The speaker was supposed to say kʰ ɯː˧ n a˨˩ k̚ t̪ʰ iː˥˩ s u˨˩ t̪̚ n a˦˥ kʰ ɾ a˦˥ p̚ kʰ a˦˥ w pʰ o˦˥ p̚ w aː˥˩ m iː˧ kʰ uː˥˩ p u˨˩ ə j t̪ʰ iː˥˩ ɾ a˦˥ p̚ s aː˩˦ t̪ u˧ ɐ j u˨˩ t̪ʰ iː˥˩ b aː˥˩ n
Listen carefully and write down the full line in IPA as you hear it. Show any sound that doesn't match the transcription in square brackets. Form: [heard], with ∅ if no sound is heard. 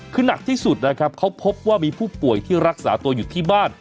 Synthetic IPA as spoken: kʰ ɯː˧ n a˨˩ k̚ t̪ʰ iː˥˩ s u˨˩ t̪̚ n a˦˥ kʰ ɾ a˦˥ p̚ kʰ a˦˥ w pʰ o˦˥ p̚ w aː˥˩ m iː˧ [pʰ] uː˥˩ p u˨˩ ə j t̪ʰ iː˥˩ ɾ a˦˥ [k̚] s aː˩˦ t̪ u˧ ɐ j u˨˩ t̪ʰ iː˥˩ b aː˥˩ n